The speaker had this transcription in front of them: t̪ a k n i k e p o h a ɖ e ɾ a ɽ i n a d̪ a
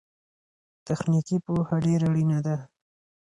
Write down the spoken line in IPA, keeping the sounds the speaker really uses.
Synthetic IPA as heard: t̪ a x n i k i p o h a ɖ e ɾ a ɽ i n a d̪ a